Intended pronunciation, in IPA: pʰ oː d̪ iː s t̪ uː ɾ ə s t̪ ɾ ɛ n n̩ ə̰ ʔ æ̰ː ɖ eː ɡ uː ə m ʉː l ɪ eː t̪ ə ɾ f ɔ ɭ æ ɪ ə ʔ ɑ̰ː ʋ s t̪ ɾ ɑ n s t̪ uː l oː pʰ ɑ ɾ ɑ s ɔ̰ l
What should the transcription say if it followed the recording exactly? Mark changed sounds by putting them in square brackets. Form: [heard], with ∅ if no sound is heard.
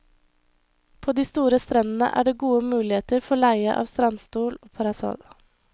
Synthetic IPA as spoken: pʰ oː d̪ iː s t̪ uː ɾ ə s t̪ ɾ ɛ n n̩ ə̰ ʔ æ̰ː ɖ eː ɡ uː ə m ʉː l ɪ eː t̪ ə ɾ f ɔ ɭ æ ɪ ə ʔ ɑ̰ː ʋ s t̪ ɾ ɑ n s t̪ uː l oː pʰ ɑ ɾ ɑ s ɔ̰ l